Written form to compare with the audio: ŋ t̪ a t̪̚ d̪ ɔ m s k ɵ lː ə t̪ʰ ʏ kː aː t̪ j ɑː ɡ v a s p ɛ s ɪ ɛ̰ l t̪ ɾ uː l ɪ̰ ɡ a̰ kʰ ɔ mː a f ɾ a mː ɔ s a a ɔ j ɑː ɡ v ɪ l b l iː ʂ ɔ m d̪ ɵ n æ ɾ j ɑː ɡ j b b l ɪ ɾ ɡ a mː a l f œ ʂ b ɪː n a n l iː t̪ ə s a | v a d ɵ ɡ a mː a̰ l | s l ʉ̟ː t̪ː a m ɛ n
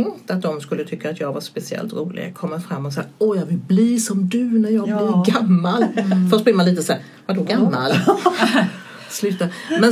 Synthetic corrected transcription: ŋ t̪ a t̪̚ d̪ ɔ m s k ɵ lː ə t̪ʰ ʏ kː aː t̪ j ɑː ɡ v a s p ɛ s ɪ ɛ̰ l t̪ ɾ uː l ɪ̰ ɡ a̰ kʰ ɔ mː a f ɾ a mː ɔ s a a ɔ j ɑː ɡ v ɪ l b l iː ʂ ɔ m d̪ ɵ n æ ɾ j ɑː ɡ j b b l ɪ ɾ ɡ a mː a l f œ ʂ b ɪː m a n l iː t̪ ə s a | v a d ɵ ɡ a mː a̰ l | s l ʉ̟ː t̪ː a m ɛ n